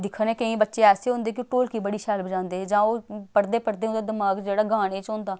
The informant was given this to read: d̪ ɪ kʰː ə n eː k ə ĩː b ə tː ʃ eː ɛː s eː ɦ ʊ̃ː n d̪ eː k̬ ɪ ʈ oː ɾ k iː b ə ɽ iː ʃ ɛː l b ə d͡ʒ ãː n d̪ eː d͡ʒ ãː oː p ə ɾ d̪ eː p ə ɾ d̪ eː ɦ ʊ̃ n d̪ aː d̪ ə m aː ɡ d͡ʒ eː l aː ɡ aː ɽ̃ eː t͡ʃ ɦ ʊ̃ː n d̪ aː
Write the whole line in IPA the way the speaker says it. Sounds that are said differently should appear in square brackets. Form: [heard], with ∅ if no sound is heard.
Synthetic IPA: d̪ ɪ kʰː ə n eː k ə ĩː b ə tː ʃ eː ɛː s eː ɦ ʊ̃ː n d̪ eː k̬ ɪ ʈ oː [l] k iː b ə ɽ iː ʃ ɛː l b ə d͡ʒ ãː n d̪ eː d͡ʒ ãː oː p ə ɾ d̪ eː p ə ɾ d̪ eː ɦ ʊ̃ n d̪ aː d̪ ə m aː ɡ d͡ʒ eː [ɽ] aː ɡ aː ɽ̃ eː t͡ʃ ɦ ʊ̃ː n d̪ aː